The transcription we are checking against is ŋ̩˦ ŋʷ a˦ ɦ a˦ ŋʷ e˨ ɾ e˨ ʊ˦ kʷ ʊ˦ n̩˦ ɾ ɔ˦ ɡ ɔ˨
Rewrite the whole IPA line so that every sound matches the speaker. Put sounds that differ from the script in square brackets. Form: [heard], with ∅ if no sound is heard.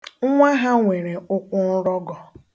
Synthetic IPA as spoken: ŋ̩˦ ŋʷ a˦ ɦ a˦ ŋʷ e˨ ɾ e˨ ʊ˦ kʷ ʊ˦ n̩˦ ɾ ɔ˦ ɡ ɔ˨